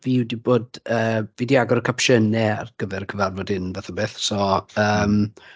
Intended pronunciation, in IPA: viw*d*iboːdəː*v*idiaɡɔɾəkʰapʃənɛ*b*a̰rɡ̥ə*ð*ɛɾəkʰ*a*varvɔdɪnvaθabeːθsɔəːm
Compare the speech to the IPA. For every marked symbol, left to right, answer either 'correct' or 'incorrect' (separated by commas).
correct, correct, incorrect, incorrect, incorrect